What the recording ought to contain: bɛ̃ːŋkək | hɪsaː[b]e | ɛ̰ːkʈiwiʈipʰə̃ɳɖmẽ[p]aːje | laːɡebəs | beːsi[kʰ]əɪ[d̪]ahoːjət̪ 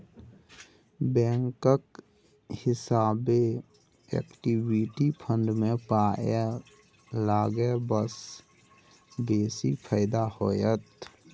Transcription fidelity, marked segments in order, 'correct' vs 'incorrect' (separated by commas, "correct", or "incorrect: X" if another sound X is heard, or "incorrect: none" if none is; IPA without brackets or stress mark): correct, correct, incorrect: pʰ, correct